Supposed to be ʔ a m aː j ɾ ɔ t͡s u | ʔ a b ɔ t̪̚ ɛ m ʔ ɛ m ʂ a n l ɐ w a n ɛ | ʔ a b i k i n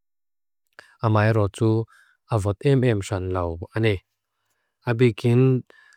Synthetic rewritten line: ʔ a m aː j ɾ ɔ t͡s u | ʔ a v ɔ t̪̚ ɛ m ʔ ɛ m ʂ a n l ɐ w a n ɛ | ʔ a b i k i n